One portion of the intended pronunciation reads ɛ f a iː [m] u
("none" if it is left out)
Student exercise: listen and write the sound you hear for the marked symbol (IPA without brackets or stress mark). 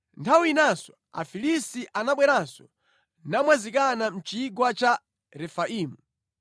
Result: m